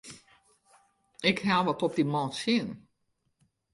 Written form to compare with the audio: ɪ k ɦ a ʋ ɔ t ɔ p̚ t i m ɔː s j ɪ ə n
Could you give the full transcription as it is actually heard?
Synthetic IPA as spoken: ɪ k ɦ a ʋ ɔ t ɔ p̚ d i m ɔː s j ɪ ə n